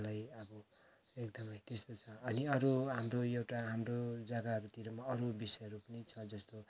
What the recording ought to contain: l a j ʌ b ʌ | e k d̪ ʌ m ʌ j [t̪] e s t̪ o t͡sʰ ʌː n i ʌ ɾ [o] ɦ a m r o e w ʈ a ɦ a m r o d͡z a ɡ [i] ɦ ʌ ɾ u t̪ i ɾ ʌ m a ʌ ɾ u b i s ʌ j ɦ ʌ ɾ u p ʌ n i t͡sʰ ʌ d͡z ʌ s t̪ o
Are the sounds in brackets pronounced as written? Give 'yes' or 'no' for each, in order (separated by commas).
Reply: yes, no, no